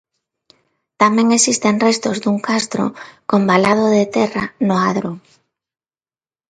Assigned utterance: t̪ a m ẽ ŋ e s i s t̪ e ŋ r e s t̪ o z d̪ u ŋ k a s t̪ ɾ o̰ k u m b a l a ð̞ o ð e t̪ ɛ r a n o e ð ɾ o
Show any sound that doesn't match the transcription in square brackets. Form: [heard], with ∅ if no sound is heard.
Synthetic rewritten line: t̪ a m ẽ ŋ e s i s t̪ e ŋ r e s t̪ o z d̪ u ŋ k a s t̪ ɾ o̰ k [o] m b a l a ð̞ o ð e t̪ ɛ r a n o [a] ð ɾ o